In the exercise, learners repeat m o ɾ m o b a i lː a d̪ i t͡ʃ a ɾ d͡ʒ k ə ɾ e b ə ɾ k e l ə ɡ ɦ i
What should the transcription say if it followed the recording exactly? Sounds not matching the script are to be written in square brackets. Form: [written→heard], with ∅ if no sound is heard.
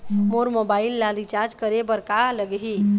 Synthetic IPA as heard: m o ɾ m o b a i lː a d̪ i t͡ʃ a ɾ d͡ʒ k ə ɾ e b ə ɾ k [e→a] l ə ɡ ɦ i